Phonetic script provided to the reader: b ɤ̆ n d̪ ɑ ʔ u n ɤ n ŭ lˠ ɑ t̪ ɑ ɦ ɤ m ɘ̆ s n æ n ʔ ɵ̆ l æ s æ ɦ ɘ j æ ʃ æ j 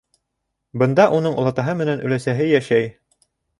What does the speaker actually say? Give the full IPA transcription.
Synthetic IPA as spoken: b ɤ̆ n d̪ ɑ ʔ u n ɤ ɴ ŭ lˠ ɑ t̪ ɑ ɦ ɤ m ɘ̆ n æ n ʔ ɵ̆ l æ s æ ɦ ɘ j æ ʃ æ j